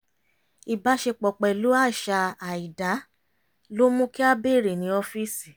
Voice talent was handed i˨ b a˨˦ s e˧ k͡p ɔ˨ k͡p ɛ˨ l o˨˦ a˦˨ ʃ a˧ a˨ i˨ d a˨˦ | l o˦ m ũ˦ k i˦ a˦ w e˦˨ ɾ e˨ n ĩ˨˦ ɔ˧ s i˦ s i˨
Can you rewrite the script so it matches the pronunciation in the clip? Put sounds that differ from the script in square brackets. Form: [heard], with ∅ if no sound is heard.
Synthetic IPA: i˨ b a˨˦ [ʃ] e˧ k͡p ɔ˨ k͡p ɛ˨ l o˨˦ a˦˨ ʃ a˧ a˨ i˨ d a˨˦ | l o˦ m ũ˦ k i˦ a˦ [b] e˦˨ ɾ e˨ n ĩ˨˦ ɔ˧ [f] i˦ s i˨